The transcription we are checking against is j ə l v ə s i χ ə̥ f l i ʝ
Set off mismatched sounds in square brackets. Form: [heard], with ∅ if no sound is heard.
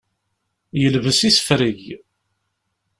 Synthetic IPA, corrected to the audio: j ə l v ə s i [s] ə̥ f [ɾ] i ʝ